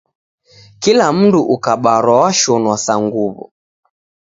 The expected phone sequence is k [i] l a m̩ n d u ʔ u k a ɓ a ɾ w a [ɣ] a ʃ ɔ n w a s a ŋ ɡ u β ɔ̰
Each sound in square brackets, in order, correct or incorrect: correct, incorrect: w

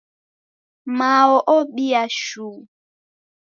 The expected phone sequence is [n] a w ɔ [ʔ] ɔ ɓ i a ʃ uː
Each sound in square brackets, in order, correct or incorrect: incorrect: m, correct

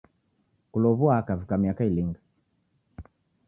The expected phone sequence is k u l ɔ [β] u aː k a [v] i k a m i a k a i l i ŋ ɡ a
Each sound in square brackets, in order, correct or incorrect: correct, correct

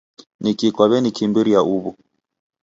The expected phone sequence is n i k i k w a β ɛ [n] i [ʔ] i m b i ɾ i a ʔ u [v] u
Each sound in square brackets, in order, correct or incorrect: correct, incorrect: k, incorrect: β

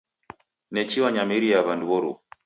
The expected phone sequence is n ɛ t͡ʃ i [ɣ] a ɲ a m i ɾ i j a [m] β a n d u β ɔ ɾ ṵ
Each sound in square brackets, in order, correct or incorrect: incorrect: w, incorrect: none

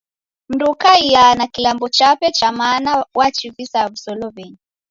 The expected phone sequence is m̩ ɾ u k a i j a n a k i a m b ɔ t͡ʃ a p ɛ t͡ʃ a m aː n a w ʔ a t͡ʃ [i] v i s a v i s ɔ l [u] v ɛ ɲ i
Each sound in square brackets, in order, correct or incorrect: correct, incorrect: ɔ

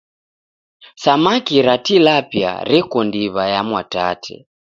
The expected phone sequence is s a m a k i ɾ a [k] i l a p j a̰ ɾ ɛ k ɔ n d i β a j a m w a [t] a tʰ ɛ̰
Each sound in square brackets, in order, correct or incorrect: incorrect: t, correct

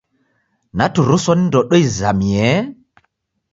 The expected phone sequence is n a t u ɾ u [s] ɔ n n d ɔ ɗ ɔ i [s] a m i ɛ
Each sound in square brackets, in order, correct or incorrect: correct, incorrect: z

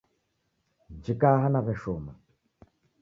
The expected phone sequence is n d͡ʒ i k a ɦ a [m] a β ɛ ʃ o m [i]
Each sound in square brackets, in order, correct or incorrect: incorrect: n, incorrect: a

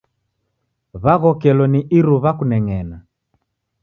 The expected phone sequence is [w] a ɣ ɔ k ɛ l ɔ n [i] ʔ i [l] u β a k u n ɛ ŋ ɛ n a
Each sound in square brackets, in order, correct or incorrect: incorrect: β, correct, incorrect: ɾ

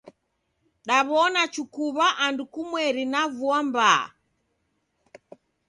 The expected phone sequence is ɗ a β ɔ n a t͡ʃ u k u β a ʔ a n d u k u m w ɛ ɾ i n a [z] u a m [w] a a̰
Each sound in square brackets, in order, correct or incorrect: incorrect: v, incorrect: b

